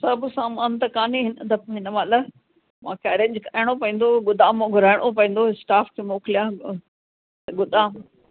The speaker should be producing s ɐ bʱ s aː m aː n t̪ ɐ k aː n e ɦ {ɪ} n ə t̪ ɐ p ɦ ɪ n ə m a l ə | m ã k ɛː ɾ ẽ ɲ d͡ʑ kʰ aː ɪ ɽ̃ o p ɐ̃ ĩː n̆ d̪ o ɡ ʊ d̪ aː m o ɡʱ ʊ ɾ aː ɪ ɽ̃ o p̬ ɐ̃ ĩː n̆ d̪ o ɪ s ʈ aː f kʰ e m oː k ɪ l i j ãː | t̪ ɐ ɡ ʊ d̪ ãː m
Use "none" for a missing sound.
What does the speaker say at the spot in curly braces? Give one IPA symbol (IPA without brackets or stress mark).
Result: ɪ